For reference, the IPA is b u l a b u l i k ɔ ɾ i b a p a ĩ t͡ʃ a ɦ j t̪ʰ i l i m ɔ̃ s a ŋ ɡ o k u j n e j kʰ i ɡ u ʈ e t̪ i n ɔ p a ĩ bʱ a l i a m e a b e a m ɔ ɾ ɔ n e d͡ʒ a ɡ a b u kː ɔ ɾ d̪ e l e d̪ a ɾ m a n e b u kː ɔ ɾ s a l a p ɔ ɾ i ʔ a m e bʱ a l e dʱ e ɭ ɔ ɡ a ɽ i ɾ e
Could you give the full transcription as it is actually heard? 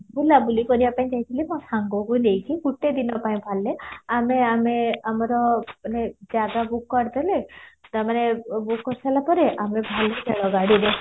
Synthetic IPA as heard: b u l a b u l i k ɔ ɾ i b a p a ĩ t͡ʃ a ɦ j t̪ʰ i l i m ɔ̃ s a ŋ ɡ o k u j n e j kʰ i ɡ u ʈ e d̪ i n ɔ p a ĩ bʱ a l e a m e a m e a m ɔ ɾ ɔ n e d͡ʒ a ɡ a b u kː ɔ ɾ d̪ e l e t̪ a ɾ m a n e b u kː ɔ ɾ s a l a p ɔ ɾ e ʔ a m e bʱ a l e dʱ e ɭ ɔ ɡ a ɽ i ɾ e